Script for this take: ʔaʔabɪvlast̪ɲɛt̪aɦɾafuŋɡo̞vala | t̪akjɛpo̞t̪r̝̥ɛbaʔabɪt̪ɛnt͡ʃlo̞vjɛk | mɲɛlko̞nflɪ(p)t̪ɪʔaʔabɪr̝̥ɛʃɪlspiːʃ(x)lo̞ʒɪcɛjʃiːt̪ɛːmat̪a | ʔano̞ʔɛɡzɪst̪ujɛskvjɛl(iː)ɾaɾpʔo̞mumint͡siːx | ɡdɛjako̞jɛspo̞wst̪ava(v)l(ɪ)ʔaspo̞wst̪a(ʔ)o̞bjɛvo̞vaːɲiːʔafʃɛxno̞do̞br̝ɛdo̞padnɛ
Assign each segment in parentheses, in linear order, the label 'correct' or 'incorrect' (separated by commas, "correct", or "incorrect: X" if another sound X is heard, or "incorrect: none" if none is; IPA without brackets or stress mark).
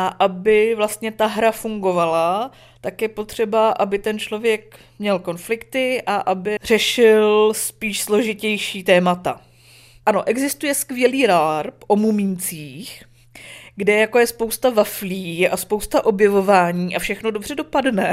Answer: incorrect: k, incorrect: s, correct, incorrect: f, incorrect: i, correct